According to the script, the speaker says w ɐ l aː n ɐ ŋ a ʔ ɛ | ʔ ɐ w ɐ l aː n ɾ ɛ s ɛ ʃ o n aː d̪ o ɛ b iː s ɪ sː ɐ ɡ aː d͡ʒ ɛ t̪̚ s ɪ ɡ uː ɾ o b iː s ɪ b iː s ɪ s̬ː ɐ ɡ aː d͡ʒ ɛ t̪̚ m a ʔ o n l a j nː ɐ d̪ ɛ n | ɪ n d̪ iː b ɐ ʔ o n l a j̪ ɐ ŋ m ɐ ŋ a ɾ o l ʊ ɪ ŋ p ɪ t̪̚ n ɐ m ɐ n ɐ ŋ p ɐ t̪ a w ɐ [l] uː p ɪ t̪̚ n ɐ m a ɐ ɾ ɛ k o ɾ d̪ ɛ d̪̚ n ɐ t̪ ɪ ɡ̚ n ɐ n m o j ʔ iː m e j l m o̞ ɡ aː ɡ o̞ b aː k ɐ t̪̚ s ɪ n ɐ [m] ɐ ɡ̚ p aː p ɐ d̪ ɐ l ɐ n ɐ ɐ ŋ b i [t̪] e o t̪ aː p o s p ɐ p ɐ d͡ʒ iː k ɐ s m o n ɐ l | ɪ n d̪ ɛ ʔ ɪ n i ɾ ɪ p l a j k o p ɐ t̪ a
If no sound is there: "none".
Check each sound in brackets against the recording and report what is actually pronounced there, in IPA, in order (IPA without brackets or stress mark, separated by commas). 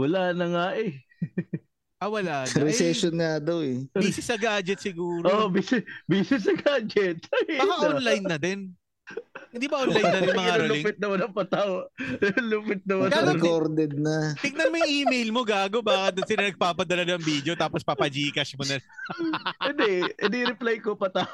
l, n, d̪